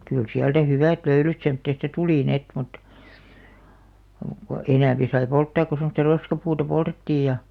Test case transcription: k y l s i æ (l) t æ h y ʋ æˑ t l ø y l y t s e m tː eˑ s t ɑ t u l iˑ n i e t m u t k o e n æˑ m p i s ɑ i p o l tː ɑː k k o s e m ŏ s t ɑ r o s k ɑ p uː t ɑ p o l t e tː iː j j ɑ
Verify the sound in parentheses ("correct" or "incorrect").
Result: correct